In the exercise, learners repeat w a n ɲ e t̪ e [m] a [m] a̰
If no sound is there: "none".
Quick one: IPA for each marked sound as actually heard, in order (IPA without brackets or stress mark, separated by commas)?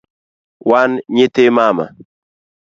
m, m